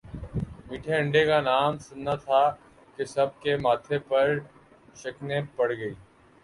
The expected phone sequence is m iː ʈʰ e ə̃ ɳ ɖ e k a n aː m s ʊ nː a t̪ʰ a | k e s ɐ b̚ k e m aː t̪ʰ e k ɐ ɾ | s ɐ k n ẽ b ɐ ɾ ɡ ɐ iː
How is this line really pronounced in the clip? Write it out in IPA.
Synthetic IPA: m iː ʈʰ e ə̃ ɳ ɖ e k a n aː m s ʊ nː a t̪ʰ a | k e s ɐ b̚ k e m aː t̪ʰ e p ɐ ɾ | ʃ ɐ k n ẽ p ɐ ɽ ɡ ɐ iː